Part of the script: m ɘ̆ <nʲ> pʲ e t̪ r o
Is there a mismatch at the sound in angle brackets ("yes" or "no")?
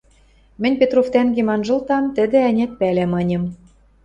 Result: no